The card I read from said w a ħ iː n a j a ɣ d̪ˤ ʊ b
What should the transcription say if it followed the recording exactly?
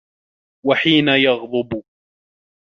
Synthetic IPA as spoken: w a ħ iː n a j ɑ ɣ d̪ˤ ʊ b